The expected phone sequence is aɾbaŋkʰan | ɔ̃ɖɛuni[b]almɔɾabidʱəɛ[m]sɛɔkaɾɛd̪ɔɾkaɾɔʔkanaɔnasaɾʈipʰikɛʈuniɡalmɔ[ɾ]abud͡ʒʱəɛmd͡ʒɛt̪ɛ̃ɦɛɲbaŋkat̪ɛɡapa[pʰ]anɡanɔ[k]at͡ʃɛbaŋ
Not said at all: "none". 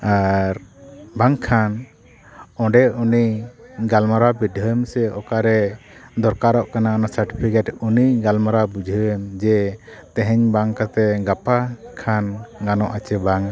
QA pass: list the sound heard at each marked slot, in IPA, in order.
ɡ, m, ɾ, kʰ, ʔ

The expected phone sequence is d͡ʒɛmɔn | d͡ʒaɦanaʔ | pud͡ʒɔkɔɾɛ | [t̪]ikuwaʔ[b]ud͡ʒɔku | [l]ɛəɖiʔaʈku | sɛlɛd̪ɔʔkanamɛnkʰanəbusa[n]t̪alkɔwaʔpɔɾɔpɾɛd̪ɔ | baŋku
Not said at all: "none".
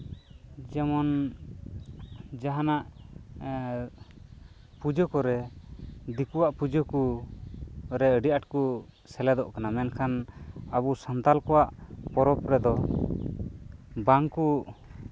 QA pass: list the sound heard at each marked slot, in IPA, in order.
d̪, p, ɾ, n

